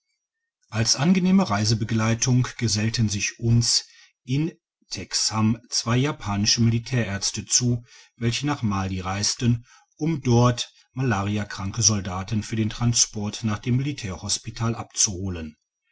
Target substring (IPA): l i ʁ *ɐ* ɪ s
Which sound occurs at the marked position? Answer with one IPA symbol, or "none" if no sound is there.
a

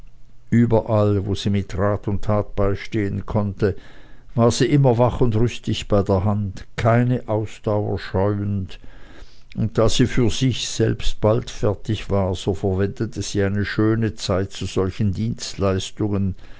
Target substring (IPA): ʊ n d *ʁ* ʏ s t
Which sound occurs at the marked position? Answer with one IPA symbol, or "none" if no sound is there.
ʁ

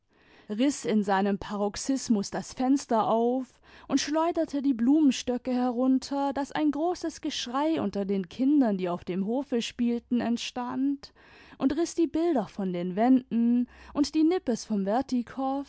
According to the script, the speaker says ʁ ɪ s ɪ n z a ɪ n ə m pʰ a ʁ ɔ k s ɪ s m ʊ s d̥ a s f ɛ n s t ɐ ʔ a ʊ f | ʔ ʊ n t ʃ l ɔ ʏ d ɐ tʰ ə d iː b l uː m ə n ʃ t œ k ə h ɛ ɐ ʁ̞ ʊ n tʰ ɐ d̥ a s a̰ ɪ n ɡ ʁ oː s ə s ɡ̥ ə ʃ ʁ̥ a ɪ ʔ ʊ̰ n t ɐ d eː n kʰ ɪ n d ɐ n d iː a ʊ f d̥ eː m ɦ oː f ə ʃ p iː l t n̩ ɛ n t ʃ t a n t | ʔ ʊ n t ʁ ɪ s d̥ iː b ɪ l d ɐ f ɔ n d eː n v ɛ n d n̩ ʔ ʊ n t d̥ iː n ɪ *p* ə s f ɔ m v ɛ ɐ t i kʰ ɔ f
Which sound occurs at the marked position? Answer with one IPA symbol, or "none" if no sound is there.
p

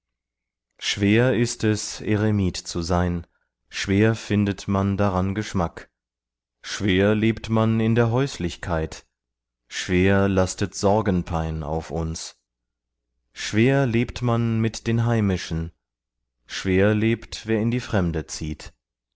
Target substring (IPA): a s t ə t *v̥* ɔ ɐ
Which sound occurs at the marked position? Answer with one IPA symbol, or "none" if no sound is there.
z̥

